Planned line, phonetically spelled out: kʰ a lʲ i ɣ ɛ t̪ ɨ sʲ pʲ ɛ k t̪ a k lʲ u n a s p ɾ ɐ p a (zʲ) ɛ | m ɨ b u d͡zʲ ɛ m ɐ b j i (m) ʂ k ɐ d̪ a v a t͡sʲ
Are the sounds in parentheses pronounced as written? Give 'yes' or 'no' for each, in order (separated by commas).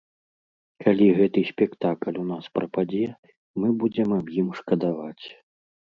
no, yes